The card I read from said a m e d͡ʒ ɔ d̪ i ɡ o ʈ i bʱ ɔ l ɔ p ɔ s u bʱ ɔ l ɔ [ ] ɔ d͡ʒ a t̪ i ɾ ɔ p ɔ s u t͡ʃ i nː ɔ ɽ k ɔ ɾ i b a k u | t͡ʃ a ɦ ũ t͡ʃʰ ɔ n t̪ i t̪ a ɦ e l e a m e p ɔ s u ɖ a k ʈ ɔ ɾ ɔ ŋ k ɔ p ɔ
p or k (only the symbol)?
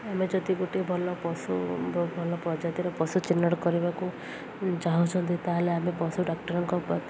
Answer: p